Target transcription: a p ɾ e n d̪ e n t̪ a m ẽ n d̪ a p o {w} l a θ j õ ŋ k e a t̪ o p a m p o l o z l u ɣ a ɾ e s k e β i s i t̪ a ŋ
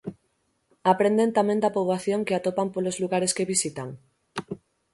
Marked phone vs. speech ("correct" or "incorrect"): incorrect